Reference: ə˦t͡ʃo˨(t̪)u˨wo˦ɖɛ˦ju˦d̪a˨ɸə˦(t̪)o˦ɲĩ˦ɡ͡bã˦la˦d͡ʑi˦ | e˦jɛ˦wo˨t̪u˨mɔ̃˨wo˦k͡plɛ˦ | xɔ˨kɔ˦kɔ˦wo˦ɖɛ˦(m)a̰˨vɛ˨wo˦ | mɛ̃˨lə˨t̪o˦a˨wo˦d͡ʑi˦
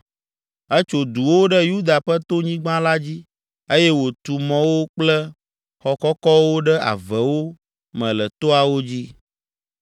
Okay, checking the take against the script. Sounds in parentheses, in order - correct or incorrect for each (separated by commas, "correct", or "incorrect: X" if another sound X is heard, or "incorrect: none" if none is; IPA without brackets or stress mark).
incorrect: d̪, correct, incorrect: none